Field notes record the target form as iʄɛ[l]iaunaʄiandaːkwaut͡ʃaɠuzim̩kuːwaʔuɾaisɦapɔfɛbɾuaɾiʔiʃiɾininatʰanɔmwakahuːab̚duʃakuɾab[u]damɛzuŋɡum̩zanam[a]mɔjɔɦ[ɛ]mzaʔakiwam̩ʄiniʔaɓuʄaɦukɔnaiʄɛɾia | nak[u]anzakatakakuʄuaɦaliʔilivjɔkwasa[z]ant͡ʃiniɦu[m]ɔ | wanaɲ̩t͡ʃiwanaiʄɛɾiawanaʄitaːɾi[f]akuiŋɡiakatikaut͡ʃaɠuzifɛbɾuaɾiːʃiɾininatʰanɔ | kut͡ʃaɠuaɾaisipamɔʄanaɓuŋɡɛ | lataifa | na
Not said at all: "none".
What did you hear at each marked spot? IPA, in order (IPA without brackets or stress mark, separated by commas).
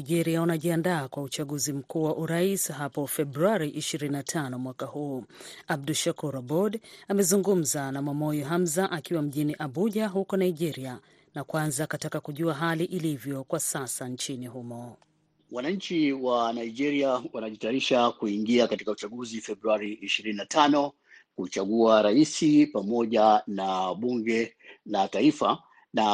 ɾ, ɔ, a, a, w, s, m, ʃ